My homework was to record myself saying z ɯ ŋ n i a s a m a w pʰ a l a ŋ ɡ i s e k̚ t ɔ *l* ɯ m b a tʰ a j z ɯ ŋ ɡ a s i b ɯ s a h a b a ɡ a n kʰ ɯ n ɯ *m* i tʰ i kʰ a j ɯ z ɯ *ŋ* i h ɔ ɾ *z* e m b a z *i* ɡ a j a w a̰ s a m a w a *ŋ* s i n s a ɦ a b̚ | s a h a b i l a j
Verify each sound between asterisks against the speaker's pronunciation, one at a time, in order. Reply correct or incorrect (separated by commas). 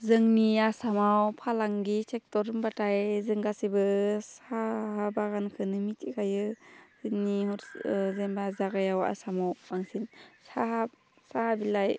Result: incorrect, correct, incorrect, correct, incorrect, correct